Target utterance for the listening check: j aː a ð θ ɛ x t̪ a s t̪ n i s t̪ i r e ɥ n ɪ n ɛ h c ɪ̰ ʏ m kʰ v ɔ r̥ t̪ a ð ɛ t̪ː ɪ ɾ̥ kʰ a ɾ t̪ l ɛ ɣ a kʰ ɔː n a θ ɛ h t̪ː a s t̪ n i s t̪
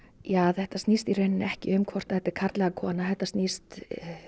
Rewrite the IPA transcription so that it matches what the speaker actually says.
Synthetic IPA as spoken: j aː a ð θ ɛ h t̪ a s t̪ n i s t̪ i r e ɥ n ɪ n ɛ h c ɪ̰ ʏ m kʰ v ɔ r̥ t̪ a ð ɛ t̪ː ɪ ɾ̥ kʰ a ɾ t̪ l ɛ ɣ a kʰ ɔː n a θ ɛ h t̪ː a s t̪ n i s t̪

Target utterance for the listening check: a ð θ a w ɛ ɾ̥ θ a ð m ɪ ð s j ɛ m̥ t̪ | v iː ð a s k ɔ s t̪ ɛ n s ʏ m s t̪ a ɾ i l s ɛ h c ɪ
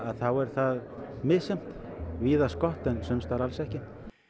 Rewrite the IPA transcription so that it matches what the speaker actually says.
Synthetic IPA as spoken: a ð θ a w ɛ ɾ̥ θ a ð m ɪ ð s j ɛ m̥ t̪ | v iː ð a s k ɔ h t̪ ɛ n s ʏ m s t̪ a ɾ a l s ɛ h c ɪ

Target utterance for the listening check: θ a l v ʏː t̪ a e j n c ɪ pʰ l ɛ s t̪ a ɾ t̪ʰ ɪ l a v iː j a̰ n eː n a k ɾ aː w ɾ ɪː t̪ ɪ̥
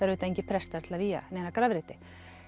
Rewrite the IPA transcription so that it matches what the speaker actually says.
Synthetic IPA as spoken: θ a ɾ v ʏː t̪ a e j ɲ c ɪ pʰ ɾ ɛ s t̪ a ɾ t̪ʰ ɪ l a v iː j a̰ n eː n a k ɾ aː v ɾ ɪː t̪ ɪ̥

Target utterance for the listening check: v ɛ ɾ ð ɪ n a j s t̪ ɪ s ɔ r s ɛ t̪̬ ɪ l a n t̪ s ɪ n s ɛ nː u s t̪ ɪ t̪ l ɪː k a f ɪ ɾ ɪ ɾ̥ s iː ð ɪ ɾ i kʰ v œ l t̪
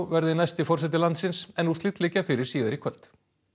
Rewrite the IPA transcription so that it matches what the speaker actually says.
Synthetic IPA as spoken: v ɛ ɾ ð ɪ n a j s t̪ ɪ f ɔ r s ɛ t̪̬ ɪ l a n t̪ s ɪ n s ɛ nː u s t̪ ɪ t̪ l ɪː c a f ɪ ɾ ɪ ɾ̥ s iː ð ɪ ɾ i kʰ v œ l t̪

